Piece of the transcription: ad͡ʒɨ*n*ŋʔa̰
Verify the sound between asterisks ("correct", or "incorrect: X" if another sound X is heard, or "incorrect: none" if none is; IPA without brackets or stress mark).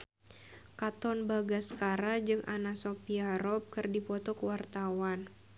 incorrect: none